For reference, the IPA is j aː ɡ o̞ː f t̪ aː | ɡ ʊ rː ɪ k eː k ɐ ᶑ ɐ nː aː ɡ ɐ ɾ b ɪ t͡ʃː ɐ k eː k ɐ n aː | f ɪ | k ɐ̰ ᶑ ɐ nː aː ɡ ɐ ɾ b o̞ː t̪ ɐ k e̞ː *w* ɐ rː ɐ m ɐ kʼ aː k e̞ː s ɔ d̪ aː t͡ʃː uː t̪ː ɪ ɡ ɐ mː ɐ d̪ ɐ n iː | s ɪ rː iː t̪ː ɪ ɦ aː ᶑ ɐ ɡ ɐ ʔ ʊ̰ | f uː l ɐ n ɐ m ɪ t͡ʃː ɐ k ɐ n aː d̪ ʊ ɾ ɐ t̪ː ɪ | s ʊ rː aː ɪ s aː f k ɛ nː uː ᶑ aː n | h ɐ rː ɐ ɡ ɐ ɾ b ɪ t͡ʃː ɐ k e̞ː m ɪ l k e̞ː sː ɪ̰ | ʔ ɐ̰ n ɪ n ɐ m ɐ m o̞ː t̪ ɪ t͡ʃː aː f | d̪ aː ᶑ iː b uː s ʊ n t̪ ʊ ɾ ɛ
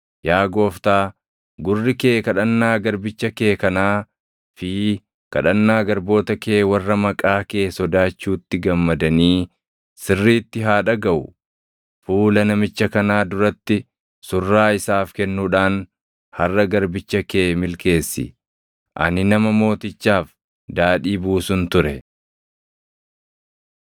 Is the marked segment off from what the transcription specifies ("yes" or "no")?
no